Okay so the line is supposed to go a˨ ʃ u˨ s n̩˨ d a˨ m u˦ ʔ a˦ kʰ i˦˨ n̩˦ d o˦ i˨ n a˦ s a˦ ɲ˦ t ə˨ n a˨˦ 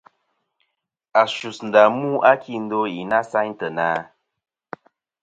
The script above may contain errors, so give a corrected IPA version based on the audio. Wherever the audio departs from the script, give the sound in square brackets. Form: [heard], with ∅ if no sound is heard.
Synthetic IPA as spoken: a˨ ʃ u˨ s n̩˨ d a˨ m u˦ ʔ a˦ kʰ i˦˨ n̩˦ d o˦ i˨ n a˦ s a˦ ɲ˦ t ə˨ n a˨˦